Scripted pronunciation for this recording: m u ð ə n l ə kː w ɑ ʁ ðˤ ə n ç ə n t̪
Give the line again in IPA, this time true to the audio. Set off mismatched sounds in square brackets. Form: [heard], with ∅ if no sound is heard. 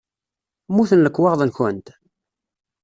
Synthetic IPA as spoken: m u [θ] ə n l ə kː w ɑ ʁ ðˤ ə n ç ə n t̪